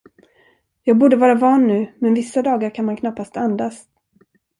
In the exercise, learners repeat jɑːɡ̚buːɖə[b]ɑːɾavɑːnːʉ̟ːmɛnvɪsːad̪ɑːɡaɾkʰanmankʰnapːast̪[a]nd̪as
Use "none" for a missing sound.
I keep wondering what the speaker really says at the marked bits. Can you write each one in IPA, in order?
v, a

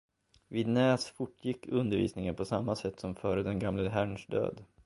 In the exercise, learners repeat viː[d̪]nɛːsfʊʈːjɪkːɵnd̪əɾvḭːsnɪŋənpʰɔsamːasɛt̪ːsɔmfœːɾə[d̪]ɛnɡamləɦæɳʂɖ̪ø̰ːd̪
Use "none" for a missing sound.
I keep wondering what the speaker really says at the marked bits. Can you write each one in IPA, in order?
d̪, d̪

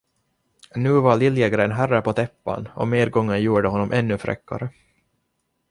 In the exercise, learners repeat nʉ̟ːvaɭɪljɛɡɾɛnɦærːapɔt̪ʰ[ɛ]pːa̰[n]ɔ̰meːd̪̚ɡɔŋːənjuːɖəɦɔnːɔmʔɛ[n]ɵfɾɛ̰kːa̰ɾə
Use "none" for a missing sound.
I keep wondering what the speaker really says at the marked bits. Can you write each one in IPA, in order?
ɛ, n, nː

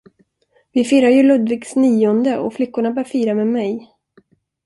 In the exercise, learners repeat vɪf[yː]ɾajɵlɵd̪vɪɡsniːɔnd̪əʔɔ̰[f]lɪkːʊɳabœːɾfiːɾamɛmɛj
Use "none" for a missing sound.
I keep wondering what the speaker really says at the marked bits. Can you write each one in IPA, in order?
iː, f

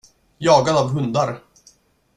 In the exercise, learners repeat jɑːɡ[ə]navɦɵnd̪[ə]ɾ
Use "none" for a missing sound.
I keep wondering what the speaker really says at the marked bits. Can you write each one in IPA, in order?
a, a

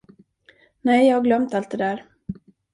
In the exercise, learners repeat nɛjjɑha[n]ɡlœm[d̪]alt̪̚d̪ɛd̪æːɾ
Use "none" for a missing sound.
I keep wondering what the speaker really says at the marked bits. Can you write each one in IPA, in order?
none, t̪

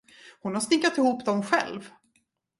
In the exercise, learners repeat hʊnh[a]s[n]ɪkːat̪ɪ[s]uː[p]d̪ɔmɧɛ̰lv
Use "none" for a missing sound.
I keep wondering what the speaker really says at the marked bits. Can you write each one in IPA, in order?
a, n, h, p

